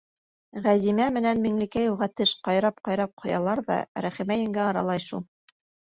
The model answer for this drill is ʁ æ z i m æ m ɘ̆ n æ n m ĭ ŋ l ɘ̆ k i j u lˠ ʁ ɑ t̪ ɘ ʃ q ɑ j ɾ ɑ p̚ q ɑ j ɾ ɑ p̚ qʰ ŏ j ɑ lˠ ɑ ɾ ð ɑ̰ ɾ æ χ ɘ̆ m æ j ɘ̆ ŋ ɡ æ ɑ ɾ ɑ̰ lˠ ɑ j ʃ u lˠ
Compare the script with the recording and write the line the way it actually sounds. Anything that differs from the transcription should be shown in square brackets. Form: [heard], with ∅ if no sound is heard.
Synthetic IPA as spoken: ʁ æ z i m æ m ɘ̆ n æ n m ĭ ŋ l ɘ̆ k [æ] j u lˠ ʁ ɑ t̪ ɘ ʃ q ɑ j ɾ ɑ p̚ q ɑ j ɾ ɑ p̚ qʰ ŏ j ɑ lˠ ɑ ɾ ð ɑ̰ ɾ æ χ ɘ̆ m æ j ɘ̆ ŋ ɡ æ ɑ ɾ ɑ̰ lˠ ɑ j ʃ u lˠ